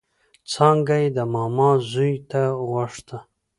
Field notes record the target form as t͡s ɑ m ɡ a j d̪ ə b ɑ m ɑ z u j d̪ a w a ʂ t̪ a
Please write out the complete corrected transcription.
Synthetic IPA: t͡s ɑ ŋ ɡ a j d̪ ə m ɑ m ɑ z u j t̪ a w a ʂ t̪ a

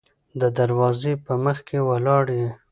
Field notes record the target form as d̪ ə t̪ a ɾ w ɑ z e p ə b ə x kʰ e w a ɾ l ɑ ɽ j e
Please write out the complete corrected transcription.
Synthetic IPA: d̪ ə d̪ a ɾ w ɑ z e p ə m ə x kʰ e w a l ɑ ɽ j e

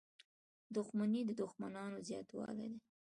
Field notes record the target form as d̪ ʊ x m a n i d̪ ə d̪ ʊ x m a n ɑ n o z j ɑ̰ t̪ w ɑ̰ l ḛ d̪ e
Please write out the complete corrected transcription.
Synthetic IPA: d̪ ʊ x m a n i d̪ ə d̪ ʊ x m a n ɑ n o z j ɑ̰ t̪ w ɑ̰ l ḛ d̪ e

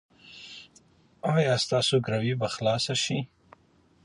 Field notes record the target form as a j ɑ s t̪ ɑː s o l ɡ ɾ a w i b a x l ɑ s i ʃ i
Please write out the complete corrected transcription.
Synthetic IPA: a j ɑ s t̪ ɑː s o ɡ ɾ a w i b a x l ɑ s a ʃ i

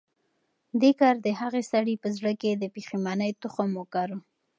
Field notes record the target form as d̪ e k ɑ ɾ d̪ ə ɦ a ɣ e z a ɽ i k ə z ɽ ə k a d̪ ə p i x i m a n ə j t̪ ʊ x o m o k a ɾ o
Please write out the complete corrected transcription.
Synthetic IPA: d̪ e k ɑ ɾ d̪ ə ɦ a ɣ e s a ɽ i p ə z ɽ ə k e d̪ ə p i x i m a n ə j t̪ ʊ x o m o k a ɾ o

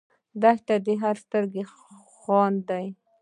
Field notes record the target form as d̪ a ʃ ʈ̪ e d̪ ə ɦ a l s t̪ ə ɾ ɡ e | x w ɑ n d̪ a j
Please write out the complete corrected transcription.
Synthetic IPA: d̪ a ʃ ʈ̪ a d̪ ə ɦ a ɾ s t̪ ə ɾ ɡ e | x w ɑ n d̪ a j

